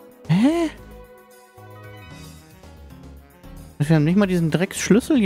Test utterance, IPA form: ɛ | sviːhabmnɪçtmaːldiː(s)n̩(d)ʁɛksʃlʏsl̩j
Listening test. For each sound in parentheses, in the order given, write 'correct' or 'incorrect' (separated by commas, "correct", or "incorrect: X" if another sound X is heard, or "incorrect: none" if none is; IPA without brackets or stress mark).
incorrect: z, correct